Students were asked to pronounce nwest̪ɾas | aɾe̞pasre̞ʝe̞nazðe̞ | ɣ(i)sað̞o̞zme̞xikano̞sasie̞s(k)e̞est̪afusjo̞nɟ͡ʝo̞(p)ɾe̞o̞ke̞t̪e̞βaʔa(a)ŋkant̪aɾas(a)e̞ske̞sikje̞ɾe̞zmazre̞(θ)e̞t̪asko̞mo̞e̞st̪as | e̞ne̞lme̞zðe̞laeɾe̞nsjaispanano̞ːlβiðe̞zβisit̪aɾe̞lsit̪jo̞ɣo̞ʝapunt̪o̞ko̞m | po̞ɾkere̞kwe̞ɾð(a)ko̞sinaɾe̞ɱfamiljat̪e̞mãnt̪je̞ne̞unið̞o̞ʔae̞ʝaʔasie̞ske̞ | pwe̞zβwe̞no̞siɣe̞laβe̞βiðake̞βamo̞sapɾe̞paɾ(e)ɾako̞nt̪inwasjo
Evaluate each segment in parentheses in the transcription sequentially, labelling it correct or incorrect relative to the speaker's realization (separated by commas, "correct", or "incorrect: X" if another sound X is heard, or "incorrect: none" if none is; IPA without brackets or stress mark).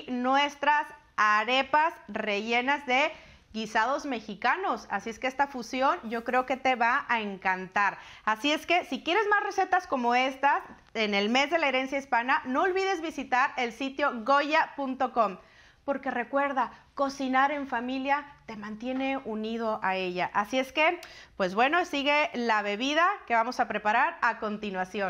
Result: correct, correct, incorrect: k, incorrect: e, incorrect: i, incorrect: s, correct, incorrect: a